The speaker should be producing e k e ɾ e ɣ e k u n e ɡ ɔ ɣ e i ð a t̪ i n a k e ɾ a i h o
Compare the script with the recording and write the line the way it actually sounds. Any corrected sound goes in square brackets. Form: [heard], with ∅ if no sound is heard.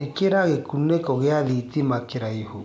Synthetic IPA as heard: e k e ɾ [a] ɣ e k u n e [k] ɔ ɣ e [a] ð [i] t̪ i [m] a k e ɾ a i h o